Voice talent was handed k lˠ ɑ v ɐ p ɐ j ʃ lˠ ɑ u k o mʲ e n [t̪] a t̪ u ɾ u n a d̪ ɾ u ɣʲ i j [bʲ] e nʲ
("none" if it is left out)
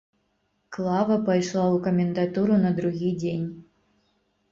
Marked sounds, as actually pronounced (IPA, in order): d̪, dʲ

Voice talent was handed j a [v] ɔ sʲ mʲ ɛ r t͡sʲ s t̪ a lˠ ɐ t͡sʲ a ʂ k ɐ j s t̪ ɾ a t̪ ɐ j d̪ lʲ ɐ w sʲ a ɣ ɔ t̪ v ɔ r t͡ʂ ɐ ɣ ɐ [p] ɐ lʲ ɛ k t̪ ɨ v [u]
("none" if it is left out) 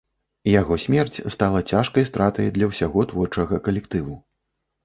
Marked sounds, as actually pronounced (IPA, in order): ɣ, k, u

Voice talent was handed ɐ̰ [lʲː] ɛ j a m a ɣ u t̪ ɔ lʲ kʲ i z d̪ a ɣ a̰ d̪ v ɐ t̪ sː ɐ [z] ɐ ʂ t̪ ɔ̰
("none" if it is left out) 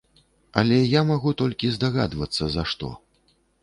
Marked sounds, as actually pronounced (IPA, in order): lʲ, z

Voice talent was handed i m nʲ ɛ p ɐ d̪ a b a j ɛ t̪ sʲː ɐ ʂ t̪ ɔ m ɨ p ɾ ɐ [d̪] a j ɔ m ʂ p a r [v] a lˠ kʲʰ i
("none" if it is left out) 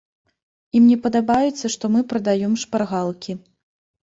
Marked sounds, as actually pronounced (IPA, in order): d̪, ɣ

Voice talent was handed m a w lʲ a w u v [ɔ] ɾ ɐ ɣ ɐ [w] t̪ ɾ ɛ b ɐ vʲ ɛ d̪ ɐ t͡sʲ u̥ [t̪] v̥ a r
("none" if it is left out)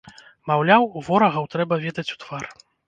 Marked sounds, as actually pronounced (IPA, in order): ɔ, w, t̪

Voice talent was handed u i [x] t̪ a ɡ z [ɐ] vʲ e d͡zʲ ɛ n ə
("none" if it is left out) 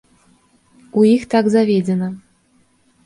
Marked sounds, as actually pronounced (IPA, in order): x, a

